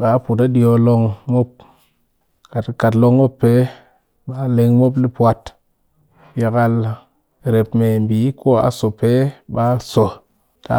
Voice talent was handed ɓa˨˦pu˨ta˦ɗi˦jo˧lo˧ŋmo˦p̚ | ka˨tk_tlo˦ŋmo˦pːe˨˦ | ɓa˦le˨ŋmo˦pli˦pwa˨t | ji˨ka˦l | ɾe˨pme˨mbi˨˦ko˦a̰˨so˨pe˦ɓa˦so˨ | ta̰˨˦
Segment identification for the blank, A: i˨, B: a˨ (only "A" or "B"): B